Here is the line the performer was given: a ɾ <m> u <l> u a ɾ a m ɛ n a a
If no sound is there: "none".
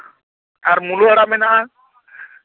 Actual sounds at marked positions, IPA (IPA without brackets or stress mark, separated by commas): m, l